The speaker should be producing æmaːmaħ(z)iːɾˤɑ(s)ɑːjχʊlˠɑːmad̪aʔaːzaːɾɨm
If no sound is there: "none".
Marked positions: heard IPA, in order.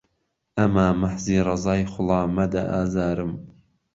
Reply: z, z

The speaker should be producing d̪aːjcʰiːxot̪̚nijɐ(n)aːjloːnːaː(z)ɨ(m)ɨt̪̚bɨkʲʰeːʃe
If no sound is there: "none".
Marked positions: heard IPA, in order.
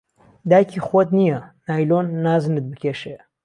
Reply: n, z, n

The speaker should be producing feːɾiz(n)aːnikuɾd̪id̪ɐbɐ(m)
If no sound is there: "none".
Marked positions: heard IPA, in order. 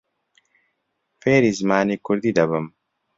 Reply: m, m

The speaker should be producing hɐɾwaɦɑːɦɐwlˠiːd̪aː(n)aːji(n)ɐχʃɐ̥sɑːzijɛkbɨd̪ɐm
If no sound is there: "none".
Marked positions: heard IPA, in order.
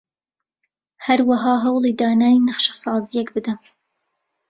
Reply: n, n

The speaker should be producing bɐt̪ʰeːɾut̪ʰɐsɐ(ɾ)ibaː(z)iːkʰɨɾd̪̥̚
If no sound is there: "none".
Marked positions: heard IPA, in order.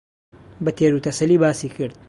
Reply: l, s

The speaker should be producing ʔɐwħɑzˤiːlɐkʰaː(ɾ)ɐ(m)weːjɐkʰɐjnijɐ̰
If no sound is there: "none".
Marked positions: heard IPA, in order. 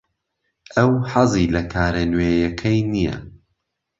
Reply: ɾ, n

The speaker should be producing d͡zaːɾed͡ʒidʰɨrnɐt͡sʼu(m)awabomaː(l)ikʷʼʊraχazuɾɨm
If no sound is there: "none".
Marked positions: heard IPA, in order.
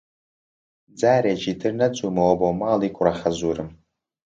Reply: m, l

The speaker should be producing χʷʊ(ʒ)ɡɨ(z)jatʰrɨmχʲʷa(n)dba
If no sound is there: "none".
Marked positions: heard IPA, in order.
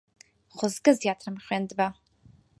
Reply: z, z, n

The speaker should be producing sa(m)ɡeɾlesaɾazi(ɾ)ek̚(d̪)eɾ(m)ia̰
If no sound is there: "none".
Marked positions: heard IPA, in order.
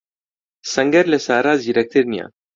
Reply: ŋ, ɾ, t̪, n

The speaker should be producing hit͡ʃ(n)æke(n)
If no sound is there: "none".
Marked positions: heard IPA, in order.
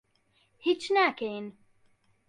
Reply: n, n

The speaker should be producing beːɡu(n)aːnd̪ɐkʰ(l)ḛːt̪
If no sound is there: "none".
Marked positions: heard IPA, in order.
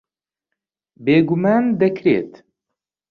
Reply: m, ɾ

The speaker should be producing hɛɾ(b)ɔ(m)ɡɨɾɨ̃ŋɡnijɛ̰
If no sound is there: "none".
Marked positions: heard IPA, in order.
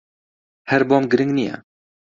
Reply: b, m

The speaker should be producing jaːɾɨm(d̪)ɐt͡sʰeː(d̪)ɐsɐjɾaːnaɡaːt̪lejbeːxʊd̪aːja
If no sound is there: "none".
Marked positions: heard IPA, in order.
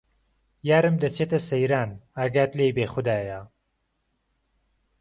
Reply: d̪, t̪

